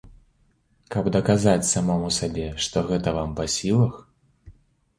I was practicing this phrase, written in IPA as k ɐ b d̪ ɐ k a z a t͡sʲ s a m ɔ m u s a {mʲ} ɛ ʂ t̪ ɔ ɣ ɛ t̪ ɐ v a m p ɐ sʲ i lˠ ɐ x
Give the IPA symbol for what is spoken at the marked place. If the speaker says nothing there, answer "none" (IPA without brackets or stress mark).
bʲ